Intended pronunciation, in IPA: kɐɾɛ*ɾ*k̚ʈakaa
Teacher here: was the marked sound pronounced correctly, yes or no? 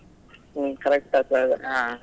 no